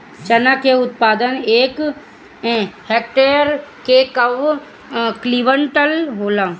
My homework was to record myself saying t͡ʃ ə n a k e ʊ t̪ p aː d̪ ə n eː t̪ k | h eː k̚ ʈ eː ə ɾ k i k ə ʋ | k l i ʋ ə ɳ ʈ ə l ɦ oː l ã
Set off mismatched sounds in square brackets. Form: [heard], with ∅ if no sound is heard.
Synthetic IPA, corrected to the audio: t͡ʃ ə n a k e ʊ t̪ p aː d̪ ə n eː [∅] k | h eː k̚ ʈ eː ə ɾ k [e] k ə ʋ | k l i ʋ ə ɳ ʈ ə l ɦ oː l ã